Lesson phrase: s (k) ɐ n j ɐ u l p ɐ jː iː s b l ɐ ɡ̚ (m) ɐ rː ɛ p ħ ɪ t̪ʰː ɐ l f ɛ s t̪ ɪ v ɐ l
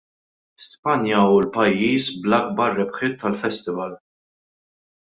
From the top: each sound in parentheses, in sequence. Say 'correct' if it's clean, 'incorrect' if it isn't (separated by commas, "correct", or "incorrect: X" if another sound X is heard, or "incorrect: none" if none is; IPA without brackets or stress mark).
incorrect: p, incorrect: b